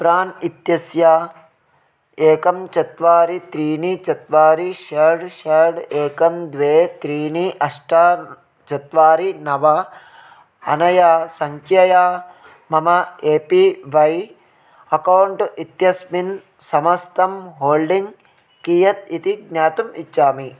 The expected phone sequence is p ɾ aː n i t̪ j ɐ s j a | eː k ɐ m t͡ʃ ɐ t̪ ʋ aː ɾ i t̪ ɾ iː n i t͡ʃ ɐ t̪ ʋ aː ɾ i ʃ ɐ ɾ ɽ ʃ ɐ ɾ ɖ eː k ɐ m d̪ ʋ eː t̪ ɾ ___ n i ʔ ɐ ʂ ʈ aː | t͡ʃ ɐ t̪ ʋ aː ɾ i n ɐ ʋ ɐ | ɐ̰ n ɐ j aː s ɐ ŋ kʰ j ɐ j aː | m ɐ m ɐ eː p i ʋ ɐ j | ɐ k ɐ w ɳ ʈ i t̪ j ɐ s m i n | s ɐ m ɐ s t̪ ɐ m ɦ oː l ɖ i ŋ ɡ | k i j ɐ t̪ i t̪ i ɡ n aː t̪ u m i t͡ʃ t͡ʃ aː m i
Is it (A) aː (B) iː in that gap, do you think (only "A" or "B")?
B